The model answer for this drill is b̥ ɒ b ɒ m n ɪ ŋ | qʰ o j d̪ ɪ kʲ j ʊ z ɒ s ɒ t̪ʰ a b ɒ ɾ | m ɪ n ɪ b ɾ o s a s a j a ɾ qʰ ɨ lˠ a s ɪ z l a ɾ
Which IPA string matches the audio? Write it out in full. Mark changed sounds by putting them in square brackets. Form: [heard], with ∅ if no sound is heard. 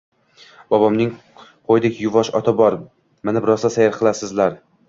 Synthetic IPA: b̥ ɒ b ɒ m n ɪ ŋ | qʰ o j d̪ ɪ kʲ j ʊ [v] ɒ [ʃ] ɒ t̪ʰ a b ɒ ɾ | m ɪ n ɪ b ɾ [ɒ] s a s a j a ɾ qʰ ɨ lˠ a s ɪ z l a ɾ